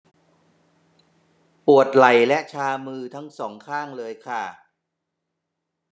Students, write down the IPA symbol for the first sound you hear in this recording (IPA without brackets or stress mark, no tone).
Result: p